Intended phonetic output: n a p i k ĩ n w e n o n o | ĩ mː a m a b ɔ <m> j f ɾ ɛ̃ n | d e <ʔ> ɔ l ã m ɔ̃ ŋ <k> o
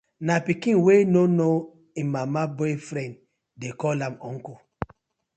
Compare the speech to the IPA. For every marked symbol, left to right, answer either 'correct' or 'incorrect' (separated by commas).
incorrect, incorrect, correct